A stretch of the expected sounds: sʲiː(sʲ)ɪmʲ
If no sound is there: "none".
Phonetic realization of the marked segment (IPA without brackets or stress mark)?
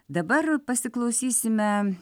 sʲ